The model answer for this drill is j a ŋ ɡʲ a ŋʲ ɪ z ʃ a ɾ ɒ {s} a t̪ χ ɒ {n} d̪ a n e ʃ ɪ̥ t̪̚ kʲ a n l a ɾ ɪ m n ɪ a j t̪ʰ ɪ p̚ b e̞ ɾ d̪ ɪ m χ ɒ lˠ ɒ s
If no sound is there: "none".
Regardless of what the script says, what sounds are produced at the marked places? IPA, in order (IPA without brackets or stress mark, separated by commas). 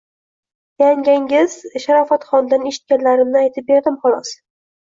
f, n